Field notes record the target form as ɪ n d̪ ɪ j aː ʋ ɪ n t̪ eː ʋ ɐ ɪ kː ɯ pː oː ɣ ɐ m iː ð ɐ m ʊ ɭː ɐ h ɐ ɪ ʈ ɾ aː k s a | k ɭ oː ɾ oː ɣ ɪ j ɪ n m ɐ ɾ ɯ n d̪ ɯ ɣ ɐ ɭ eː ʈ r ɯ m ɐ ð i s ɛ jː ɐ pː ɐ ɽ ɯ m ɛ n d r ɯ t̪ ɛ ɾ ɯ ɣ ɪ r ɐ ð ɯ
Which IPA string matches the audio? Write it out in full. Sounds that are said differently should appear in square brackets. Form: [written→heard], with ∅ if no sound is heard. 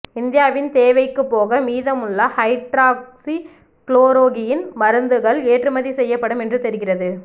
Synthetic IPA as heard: ɪ n d̪ ɪ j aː ʋ ɪ n t̪ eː ʋ ɐ ɪ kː ɯ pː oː ɣ ɐ m iː ð ɐ m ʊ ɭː ɐ h ɐ ɪ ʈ ɾ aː k s [a→i] | k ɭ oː ɾ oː ɣ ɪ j ɪ n m ɐ ɾ ɯ n d̪ ɯ ɣ ɐ ɭ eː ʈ r ɯ m ɐ ð i s ɛ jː ɐ pː ɐ ɽ ɯ m ɛ n d r ɯ t̪ ɛ ɾ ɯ ɣ ɪ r ɐ ð ɯ